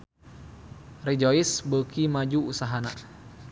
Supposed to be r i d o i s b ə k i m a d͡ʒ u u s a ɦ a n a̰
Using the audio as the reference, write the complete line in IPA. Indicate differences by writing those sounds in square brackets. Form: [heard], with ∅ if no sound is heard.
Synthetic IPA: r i [d͡ʒ] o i s b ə k i m a d͡ʒ u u s a ɦ a n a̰